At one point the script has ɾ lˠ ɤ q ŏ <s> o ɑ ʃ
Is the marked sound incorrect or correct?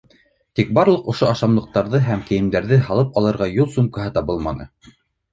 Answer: incorrect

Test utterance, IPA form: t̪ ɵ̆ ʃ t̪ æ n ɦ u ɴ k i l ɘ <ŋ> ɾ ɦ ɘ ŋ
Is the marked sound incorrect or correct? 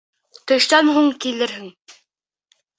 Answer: incorrect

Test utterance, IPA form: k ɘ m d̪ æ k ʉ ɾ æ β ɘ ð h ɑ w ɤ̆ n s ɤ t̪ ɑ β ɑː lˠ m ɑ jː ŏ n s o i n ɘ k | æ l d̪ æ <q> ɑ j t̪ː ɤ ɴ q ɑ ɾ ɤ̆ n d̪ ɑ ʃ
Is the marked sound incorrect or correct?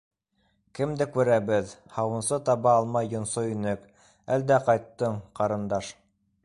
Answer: correct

